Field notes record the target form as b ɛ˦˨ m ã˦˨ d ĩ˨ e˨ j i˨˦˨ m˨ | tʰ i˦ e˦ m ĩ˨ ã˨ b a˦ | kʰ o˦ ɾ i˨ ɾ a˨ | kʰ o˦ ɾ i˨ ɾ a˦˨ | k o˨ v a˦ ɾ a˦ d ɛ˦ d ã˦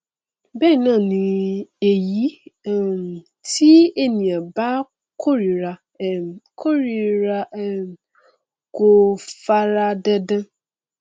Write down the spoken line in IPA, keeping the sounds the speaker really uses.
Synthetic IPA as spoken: b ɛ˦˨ n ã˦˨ n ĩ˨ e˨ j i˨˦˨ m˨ | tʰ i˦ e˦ n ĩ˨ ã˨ b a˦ | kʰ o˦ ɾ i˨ ɾ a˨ | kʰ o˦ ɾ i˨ ɾ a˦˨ | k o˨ f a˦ ɾ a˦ d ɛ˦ d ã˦